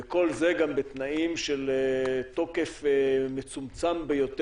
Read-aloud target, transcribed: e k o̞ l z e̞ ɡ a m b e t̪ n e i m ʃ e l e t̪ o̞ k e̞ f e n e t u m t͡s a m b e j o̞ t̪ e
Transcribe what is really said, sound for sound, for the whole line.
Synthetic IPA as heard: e k o̞ l z e̞ ɡ a m b e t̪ n a i m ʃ e l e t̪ o̞ k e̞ f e m e t͡s u m t͡s a m b e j o̞ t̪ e